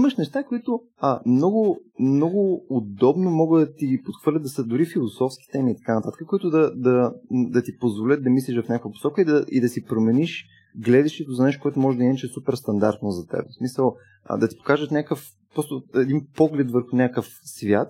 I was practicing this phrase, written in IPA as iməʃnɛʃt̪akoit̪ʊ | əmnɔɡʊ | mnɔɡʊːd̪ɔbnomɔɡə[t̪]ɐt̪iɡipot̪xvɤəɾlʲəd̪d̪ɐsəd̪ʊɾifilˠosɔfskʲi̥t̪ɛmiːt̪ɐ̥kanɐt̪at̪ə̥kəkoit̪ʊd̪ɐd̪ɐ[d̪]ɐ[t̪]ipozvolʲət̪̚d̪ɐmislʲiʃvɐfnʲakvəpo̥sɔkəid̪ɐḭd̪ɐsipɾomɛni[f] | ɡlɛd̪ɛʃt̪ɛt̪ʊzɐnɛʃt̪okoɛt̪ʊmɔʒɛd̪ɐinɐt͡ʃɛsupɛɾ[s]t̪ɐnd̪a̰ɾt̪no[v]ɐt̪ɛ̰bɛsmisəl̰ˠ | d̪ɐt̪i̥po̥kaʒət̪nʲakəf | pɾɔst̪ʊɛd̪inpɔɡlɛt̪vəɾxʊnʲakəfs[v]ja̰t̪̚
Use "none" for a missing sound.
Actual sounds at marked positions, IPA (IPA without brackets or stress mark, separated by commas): d̪, d̪, t̪, ʃ, s, z, v